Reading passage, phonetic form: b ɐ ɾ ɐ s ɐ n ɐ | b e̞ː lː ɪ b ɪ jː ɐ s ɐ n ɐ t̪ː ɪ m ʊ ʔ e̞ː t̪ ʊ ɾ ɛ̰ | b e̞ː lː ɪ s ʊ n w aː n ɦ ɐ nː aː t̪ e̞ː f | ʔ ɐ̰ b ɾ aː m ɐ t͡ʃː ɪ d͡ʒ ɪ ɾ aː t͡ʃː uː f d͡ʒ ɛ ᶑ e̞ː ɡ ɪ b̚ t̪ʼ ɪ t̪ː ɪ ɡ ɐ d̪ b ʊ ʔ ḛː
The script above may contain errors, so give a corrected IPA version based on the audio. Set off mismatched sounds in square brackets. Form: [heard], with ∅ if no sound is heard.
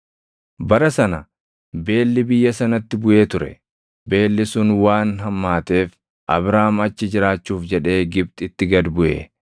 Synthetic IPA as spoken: b ɐ ɾ ɐ s ɐ n ɐ | b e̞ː lː ɪ b ɪ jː ɐ s ɐ n ɐ t̪ː ɪ [b] ʊ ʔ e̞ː t̪ ʊ ɾ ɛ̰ | b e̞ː lː ɪ s ʊ n w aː n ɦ ɐ [mː] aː t̪ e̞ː f | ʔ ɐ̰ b ɾ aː m ɐ t͡ʃː ɪ d͡ʒ ɪ ɾ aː t͡ʃː uː f d͡ʒ ɛ ᶑ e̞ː ɡ ɪ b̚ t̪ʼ ɪ t̪ː ɪ ɡ ɐ d̪ b ʊ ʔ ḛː